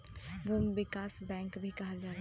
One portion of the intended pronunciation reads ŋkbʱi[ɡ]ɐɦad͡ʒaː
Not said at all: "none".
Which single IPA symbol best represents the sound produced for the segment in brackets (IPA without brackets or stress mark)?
k